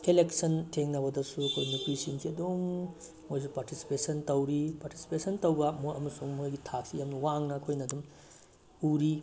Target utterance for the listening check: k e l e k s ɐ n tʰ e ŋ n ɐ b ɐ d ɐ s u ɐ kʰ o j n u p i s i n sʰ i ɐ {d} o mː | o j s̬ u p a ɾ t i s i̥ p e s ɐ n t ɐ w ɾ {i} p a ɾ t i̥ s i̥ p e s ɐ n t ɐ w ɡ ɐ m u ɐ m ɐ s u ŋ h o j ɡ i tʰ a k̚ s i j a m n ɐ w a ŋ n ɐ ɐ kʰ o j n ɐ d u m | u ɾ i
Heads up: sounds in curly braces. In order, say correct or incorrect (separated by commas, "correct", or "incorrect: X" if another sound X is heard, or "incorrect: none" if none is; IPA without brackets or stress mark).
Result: correct, correct